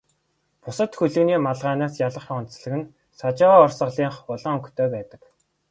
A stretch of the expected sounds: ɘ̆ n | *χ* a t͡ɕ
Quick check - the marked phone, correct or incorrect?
incorrect